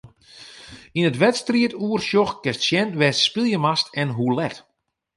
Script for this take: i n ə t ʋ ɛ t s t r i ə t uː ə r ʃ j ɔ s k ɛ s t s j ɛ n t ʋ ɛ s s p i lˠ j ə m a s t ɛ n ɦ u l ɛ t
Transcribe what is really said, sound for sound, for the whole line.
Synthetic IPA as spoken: i n ə t ʋ ɛ t s t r i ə t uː ə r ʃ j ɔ x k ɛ s t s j ɛ n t ʋ ɛ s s p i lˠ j ə m a s t ɛ n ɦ u l ɛ t